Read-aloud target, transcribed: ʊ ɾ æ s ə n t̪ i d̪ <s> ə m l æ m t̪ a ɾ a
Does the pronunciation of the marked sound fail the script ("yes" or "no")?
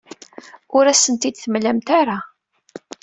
yes